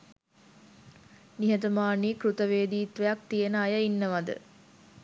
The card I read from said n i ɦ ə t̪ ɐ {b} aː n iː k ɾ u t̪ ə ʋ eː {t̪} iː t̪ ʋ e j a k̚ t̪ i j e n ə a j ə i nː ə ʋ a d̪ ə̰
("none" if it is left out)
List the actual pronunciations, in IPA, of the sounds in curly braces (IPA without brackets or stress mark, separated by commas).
m, d̪